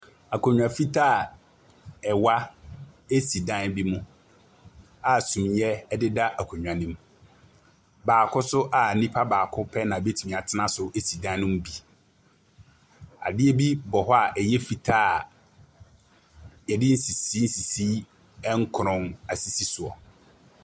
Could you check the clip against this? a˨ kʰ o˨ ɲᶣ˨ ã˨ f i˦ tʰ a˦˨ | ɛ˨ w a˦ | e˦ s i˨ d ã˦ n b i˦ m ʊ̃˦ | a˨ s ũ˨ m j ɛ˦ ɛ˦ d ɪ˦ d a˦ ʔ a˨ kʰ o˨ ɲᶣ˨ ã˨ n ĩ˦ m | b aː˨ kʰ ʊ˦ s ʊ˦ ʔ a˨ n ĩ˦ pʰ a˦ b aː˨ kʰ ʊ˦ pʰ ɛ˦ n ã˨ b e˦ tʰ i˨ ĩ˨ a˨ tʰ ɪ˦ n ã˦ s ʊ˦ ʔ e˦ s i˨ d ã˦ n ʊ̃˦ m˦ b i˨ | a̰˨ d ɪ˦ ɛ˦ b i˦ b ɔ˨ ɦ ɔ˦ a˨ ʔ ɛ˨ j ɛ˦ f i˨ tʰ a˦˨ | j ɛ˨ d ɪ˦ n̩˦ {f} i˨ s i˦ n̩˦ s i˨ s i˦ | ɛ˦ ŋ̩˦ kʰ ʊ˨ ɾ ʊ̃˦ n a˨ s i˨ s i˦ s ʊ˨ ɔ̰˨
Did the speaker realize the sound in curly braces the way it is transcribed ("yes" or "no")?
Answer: no